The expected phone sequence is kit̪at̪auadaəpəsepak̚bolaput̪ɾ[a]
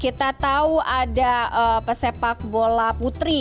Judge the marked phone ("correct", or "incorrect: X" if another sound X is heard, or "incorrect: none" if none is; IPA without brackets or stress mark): incorrect: i